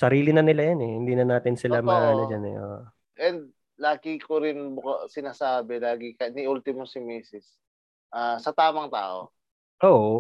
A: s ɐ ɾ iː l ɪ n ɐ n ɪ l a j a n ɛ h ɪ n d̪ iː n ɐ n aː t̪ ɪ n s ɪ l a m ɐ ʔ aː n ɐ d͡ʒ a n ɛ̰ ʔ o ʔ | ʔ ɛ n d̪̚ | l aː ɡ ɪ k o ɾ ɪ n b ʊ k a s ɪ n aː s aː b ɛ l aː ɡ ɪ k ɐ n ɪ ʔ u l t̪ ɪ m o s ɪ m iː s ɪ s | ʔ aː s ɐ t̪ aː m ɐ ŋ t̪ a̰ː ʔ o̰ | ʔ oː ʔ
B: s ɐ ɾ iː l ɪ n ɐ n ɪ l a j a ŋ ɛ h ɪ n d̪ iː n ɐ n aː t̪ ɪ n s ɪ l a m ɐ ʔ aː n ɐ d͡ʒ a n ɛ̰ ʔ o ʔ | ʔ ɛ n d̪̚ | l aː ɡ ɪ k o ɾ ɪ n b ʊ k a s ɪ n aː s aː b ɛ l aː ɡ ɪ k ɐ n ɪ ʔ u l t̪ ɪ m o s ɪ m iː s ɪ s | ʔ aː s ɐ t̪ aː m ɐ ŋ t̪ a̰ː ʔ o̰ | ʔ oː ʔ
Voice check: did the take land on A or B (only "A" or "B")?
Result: A